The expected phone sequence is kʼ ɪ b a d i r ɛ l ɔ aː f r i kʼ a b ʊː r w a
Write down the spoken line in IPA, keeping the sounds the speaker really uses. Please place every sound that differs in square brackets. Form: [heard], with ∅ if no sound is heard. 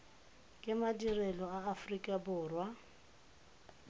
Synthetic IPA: kʼ ɪ [m] a d i r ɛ l ɔ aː f r i kʼ a b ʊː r w a